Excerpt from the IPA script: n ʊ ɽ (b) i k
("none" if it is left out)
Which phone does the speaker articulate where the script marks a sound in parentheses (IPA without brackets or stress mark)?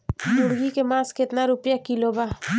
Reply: ɡ